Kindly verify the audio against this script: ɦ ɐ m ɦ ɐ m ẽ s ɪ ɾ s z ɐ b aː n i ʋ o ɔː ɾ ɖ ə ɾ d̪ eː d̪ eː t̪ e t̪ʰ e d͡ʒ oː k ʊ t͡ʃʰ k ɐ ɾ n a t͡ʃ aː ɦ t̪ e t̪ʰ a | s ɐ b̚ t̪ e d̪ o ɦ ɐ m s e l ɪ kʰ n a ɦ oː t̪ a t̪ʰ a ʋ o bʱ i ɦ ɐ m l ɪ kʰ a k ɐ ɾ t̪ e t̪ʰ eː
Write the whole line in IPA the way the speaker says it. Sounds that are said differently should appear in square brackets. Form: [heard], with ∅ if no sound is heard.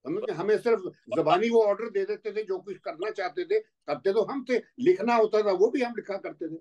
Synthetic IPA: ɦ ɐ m ɦ ɐ m ẽ s ɪ ɾ [f] z ɐ b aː n i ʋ o ɔː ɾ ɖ ə ɾ d̪ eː d̪ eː t̪ e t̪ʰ e d͡ʒ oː k ʊ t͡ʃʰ k ɐ ɾ n a t͡ʃ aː ɦ t̪ e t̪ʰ [e] | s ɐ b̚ t̪ e [t̪] o ɦ ɐ m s e l ɪ kʰ n a ɦ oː t̪ a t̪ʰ a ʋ o bʱ i ɦ ɐ m l ɪ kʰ a k ɐ ɾ t̪ e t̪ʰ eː